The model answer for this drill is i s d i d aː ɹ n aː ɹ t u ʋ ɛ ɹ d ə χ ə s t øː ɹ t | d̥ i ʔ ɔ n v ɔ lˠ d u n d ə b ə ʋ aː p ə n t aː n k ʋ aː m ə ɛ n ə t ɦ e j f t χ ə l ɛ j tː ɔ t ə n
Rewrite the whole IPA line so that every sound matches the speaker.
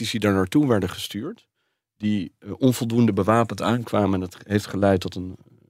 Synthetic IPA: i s d i d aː ɹ n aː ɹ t u ʋ ɛ ɹ d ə χ ə s t yː ɹ t | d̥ i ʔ ɔ n v ɔ lˠ d u n d ə b ə ʋ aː p ə n t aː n k ʋ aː m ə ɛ n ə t ɦ e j f t χ ə l ɛ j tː ɔ t ə n